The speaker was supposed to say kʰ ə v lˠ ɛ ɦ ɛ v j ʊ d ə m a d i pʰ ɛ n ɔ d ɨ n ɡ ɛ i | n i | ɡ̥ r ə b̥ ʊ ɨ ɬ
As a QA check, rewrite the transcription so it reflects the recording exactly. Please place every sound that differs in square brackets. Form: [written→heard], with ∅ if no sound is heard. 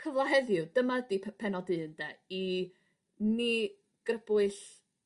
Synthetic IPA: kʰ ə v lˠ [ɛ→a] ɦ ɛ [v→ð] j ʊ d ə m a d i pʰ ɛ n ɔ d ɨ n [ɡ→d] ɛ i | n i | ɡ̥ r ə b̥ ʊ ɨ ɬ